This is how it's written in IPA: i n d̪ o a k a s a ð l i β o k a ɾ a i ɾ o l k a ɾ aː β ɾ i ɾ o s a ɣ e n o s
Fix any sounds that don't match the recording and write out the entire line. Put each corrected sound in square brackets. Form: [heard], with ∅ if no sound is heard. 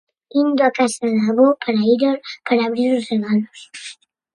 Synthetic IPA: i n d̪ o a k a s a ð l [a] β o [p] a ɾ a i ɾ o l [p] a ɾ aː β ɾ i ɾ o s [e] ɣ [a] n o s